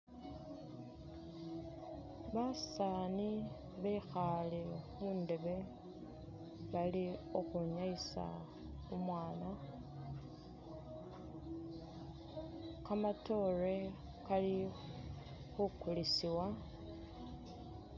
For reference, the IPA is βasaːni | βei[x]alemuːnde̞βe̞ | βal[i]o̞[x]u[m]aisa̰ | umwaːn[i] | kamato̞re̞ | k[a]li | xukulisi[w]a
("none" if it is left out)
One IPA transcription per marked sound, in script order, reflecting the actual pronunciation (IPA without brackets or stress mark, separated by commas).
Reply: x, i, x, ɲ, a, a, w